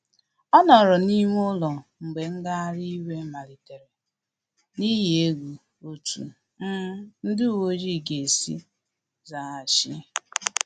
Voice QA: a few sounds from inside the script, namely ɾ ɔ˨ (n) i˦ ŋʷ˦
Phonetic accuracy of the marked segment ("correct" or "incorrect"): correct